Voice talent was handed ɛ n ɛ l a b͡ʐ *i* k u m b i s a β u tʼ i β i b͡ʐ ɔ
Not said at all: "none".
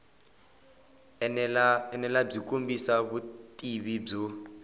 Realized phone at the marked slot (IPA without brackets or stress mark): i